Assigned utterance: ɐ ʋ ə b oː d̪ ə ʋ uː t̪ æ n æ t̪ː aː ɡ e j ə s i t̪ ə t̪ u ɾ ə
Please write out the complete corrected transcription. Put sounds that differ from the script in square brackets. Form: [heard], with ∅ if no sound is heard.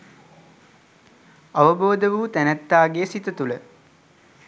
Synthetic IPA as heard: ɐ ʋ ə b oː d̪ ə ʋ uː t̪ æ n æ t̪ː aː ɡ e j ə s i t̪ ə t̪ u [l] ə